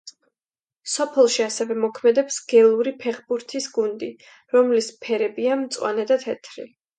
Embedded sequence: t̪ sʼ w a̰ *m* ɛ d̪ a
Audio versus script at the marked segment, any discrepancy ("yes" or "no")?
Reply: yes